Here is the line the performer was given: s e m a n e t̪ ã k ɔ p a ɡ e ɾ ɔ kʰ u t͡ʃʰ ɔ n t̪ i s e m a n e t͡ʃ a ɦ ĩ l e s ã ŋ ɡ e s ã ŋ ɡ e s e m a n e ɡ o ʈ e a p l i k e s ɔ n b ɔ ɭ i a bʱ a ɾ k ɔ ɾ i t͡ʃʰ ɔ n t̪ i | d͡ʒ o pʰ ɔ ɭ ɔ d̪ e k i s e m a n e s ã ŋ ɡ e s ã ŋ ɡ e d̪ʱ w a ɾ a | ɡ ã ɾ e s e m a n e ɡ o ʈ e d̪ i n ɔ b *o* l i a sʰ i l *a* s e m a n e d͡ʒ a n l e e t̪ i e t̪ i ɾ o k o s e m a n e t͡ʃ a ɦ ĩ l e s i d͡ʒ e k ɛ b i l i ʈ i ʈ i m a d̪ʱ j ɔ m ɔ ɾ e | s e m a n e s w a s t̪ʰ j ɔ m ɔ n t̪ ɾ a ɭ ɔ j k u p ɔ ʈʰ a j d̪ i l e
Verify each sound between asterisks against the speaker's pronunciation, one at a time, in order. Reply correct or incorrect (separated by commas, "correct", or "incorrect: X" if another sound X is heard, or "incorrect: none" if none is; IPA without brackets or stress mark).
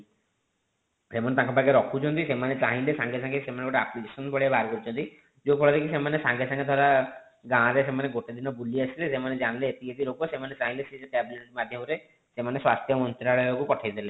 incorrect: u, incorrect: e